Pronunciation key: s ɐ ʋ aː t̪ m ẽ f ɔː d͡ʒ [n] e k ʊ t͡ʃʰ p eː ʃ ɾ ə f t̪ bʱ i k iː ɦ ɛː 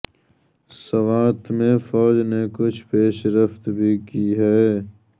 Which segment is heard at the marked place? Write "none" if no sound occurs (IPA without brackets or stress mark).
n